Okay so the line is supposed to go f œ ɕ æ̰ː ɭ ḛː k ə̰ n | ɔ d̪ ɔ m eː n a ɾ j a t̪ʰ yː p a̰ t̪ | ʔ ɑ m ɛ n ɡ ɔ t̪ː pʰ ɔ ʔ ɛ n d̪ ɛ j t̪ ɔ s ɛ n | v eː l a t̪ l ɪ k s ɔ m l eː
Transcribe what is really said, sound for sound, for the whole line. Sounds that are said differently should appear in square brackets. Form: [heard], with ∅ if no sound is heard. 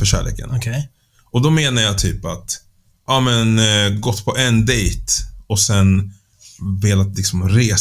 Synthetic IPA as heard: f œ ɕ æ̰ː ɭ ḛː k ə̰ n | ɔ d̪ ɔ m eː n a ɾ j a t̪ʰ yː p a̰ t̪ | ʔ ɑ m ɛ n ɡ ɔ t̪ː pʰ ɔ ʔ ɛ n d̪ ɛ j t̪ ɔ s ɛ n | v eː l a t̪ l ɪ k s ɔ m [ɾ] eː